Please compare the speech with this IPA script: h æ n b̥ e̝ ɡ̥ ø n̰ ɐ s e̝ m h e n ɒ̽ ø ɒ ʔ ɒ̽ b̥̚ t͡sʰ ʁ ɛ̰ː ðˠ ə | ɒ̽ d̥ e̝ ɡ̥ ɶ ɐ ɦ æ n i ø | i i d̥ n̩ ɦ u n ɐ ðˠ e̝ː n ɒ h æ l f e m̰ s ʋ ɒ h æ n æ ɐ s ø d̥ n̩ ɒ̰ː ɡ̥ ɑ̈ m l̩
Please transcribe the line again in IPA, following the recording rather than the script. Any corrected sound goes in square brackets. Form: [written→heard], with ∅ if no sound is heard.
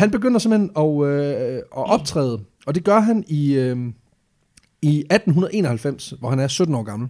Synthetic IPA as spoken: h æ n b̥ e̝ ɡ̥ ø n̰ ɐ s e̝ m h e n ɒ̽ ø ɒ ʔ ɒ̽ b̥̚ t͡sʰ ʁ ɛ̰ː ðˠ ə | ɒ̽ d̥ e̝ ɡ̥ ɶ ɐ ɦ æ n i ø | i [i→æ] d̥ n̩ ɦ u n ɐ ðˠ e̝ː n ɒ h æ l f e m̰ s ʋ ɒ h æ n æ ɐ s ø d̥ n̩ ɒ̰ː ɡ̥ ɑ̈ m l̩